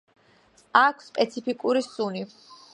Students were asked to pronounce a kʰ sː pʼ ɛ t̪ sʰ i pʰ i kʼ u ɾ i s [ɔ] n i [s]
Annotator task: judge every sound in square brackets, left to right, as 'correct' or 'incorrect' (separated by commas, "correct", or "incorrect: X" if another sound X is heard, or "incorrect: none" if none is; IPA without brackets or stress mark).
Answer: incorrect: u, incorrect: none